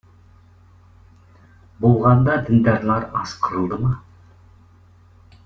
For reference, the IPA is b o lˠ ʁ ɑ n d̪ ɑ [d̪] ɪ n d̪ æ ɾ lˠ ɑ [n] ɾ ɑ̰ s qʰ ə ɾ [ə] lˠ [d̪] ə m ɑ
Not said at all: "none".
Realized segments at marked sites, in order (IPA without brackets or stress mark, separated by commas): d̪, none, ə, d̪